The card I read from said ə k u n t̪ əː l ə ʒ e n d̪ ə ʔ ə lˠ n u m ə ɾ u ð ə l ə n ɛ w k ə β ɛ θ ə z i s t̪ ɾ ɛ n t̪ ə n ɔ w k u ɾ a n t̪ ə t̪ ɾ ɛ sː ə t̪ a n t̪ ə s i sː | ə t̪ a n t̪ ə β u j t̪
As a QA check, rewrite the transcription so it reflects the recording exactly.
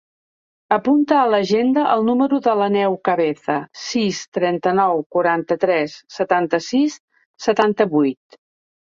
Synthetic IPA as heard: ə p u n t̪ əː l ə ʒ e n d̪ ə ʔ ə lˠ n u m ə ɾ u ð ə l ə n ɛ w k ə β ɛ θ ə s i s t̪ ɾ ɛ n t̪ ə n ɔ w k u ɾ a n t̪ ə t̪ ɾ ɛ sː ə t̪ a n t̪ ə s i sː | ə t̪ a n t̪ ə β u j t̪